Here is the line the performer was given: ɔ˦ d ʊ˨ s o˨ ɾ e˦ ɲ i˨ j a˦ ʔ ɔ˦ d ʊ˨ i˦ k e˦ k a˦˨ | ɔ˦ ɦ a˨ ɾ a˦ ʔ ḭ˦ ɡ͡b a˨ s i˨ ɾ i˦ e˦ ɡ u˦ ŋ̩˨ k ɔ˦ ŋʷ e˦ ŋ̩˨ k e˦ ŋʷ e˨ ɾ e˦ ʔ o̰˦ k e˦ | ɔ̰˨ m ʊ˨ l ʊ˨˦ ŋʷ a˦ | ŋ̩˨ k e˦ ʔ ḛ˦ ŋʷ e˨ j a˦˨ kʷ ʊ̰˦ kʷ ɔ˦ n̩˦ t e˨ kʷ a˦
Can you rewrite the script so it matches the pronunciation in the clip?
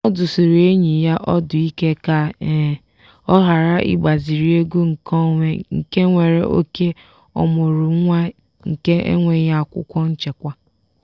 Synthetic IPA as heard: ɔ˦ d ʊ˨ s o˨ ɾ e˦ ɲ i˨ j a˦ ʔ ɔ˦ d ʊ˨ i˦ k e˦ k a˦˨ | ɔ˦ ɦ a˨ ɾ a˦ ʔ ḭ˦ ɡ͡b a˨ z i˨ ɾ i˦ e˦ ɡ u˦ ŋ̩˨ k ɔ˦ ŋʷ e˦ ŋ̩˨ k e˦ ŋʷ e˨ ɾ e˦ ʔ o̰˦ k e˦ | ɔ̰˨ m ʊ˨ ɾ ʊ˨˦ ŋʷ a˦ | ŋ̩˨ k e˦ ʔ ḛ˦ ŋʷ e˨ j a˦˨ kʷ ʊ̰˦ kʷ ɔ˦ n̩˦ t͡ʃ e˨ kʷ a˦